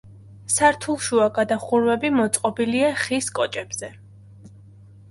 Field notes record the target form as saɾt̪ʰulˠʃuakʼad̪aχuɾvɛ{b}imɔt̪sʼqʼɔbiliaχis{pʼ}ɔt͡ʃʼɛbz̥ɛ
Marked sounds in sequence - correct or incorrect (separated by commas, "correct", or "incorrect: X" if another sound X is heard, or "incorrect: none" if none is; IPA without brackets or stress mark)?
correct, incorrect: kʼ